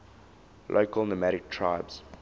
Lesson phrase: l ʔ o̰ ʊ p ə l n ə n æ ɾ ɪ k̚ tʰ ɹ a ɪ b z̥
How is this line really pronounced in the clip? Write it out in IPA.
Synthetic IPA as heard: l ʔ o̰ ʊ k ə l n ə m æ ɾ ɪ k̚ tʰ ɹ a ɪ b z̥